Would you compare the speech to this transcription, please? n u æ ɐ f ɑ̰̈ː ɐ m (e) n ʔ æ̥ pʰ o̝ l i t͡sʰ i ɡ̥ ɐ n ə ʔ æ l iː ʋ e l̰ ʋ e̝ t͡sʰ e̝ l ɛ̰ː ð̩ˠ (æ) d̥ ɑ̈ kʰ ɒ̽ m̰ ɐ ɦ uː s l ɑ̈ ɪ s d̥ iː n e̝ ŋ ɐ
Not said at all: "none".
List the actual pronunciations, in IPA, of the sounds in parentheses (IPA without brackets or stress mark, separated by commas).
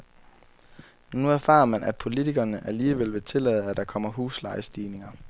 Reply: æ, æ